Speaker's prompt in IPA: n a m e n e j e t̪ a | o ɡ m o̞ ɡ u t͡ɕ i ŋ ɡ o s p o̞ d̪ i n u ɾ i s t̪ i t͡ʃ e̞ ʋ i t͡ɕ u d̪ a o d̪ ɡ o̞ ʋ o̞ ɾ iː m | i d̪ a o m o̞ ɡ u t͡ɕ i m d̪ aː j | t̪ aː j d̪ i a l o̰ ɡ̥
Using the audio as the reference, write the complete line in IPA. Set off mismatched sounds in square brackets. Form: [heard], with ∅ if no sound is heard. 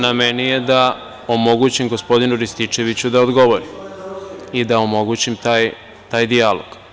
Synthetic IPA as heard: n a m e n [i] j e [d̪] a | o [∅] m o̞ ɡ u t͡ɕ i [m] ɡ o s p o̞ d̪ i n u ɾ i s t̪ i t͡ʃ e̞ ʋ i t͡ɕ u d̪ a o d̪ ɡ o̞ ʋ o̞ ɾ [i] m | i d̪ a o m o̞ ɡ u t͡ɕ i m [t̪] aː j | t̪ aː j d̪ i a l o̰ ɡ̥

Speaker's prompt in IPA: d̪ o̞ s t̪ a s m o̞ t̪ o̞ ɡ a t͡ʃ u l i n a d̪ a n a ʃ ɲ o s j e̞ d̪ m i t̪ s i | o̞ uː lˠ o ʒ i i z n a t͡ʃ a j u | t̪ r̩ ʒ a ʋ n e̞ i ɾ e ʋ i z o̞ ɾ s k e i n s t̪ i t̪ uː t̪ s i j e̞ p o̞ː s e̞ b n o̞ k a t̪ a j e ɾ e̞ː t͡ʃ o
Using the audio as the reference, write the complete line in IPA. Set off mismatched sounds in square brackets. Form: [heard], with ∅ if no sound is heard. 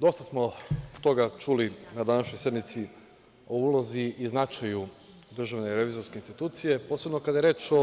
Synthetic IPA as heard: d̪ o̞ s t̪ a s m o̞ t̪ o̞ ɡ a t͡ʃ u l i n a d̪ a n a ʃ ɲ o s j e̞ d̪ m i t̪ s i | o̞ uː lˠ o [z] i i z n a t͡ʃ a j u | [d̪] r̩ ʒ a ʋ n e̞ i ɾ e ʋ i z o̞ ɾ s k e i n s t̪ i t̪ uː t̪ s i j e̞ p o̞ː s e̞ b n o̞ k a [d̪] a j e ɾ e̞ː t͡ʃ o

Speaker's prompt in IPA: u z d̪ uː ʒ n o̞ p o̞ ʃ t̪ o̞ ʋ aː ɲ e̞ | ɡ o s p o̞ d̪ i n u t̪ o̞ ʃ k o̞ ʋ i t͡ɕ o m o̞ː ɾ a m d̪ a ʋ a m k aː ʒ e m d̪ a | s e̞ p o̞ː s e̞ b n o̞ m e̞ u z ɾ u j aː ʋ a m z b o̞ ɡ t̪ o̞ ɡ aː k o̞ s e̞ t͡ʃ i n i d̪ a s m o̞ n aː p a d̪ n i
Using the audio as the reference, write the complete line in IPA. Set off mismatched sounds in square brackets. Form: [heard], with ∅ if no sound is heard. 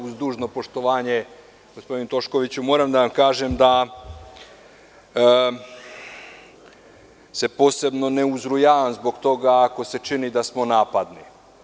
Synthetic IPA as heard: u z d̪ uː ʒ n o̞ p o̞ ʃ t̪ o̞ ʋ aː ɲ e̞ | ɡ o s p o̞ d̪ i n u t̪ o̞ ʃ k o̞ ʋ i t͡ɕ [u] m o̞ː ɾ a m d̪ a ʋ a m k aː ʒ e m d̪ a | s e̞ p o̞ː s e̞ b n o̞ [n] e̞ u z ɾ u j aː ʋ a m z b o̞ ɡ t̪ o̞ ɡ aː k o̞ s e̞ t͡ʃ i n i d̪ a s m o̞ n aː p a d̪ n i

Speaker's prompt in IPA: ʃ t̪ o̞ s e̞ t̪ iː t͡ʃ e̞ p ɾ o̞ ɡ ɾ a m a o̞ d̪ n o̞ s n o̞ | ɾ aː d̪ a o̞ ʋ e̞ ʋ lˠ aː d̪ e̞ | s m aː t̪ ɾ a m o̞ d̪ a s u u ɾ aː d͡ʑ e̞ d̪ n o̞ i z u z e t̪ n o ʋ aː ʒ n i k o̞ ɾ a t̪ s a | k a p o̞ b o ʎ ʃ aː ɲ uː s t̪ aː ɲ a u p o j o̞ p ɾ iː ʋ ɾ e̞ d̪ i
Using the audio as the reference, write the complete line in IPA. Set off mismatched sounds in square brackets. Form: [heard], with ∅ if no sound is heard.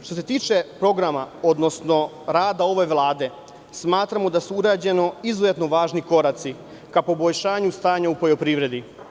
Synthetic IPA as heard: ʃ t̪ o̞ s e̞ t̪ iː t͡ʃ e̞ p ɾ o̞ ɡ ɾ a m a o̞ d̪ n o̞ s n o̞ | ɾ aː d̪ a o̞ ʋ e̞ ʋ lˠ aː d̪ e̞ | s m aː t̪ ɾ a m o̞ d̪ a s u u ɾ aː d͡ʑ e̞ [∅] n o̞ i z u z e t̪ n o ʋ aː ʒ n i k o̞ ɾ a t̪ s [i] | k a p o̞ b o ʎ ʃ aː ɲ [u] s t̪ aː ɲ a u p o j o̞ p ɾ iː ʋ ɾ e̞ d̪ i

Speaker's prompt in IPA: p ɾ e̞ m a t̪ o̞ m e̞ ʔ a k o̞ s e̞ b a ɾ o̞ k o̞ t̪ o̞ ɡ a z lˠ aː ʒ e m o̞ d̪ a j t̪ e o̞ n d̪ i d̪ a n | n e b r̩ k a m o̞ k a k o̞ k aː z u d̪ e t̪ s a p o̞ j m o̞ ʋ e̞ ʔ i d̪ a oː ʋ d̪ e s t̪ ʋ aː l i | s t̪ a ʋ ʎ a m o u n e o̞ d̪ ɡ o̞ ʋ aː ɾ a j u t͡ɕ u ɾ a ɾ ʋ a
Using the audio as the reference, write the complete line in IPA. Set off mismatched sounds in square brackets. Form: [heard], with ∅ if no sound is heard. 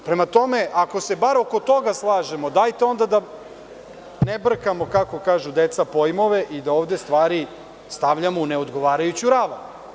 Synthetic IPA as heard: p ɾ e̞ m a t̪ o̞ m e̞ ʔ a k o̞ s e̞ b a ɾ o̞ k o̞ t̪ o̞ ɡ a [s] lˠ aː ʒ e m o̞ d̪ a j t̪ e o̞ n d̪ [a] d̪ a [∅] | n e b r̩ k a m o̞ k a k o̞ k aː [ʒ] u d̪ e t̪ s a p o̞ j m o̞ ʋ e̞ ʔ i d̪ a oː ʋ d̪ e s t̪ ʋ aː [ɾ] i | s t̪ a ʋ ʎ a m o u n e o̞ d̪ ɡ o̞ ʋ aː ɾ a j u t͡ɕ u ɾ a [∅] ʋ a

